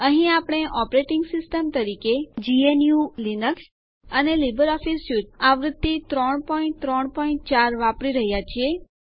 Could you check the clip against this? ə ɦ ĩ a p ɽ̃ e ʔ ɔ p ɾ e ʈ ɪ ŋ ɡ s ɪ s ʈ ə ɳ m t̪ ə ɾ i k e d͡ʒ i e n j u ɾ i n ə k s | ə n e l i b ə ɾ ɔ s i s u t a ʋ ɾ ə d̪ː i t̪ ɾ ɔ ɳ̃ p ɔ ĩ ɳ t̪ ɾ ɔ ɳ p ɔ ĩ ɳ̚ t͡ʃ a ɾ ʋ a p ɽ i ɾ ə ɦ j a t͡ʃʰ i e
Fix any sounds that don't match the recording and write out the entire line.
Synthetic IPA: ə ɦ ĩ a p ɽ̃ e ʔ ɔ p ɾ e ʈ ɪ ŋ ɡ s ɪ s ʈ ə m t̪ ə ɾ i k e d͡ʒ i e n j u l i n ə k s | ə n e l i b ə ɾ ɔ f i s u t a ʋ ɾ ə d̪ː i t̪ ɾ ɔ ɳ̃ p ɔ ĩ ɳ t̪ ɾ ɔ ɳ p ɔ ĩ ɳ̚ t͡ʃ a ɾ ʋ a p ɽ i ɾ ə ɦ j a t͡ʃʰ i e